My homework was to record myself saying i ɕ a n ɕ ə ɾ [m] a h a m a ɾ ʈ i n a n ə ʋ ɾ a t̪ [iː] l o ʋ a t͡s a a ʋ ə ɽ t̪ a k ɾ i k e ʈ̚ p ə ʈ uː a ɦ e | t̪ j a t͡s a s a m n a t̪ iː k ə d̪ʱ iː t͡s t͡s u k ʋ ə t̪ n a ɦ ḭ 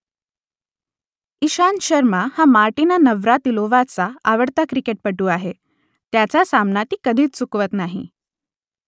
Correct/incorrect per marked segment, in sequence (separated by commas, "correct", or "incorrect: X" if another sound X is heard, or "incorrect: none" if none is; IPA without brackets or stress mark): correct, incorrect: i